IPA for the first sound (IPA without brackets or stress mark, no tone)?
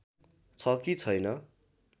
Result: t͡sʰ